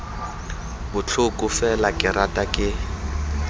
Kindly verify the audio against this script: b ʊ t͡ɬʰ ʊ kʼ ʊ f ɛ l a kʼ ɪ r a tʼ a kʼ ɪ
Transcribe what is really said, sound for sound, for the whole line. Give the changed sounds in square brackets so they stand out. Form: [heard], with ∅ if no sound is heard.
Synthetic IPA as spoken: b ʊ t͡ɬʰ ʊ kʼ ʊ f ɛ l a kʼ ɪ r a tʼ a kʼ ɪ